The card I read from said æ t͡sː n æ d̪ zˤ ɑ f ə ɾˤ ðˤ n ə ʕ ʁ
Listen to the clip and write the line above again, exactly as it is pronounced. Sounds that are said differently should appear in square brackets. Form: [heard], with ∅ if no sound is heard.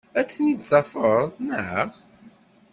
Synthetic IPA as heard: æ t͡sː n [i] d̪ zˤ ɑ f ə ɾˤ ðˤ n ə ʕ ʁ